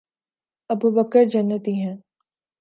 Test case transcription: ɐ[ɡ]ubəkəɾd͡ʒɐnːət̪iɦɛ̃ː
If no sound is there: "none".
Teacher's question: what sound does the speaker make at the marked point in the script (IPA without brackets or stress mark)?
b